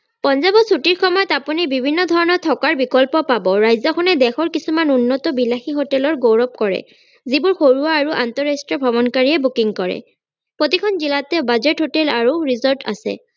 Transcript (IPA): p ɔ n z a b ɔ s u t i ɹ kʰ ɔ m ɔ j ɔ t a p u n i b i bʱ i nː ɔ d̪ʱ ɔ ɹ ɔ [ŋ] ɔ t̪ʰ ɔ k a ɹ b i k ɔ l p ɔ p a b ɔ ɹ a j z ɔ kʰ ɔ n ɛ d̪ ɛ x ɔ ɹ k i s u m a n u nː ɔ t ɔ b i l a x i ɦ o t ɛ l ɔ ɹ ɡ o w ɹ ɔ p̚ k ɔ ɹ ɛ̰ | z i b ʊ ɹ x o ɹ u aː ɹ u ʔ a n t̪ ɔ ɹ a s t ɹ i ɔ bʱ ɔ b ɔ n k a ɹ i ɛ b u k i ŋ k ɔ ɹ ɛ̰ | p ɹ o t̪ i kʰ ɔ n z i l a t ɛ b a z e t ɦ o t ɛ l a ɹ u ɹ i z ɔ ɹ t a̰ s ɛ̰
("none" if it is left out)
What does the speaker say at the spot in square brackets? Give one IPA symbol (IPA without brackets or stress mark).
n